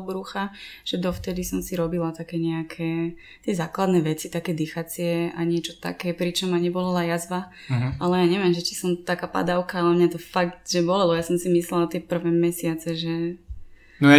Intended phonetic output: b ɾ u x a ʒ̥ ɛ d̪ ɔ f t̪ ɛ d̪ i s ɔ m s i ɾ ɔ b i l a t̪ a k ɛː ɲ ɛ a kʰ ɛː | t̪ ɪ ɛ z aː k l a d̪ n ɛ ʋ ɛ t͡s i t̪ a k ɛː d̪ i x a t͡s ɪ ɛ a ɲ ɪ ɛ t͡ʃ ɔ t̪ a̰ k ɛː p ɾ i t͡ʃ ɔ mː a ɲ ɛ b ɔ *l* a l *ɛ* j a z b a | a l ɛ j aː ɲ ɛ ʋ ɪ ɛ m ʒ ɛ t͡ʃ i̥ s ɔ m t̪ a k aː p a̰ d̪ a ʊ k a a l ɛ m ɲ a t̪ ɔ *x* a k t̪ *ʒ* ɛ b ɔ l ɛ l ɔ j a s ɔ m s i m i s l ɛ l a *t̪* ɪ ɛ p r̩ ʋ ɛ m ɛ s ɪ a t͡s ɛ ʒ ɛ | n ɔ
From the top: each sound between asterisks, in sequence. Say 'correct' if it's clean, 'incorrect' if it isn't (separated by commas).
correct, incorrect, incorrect, correct, correct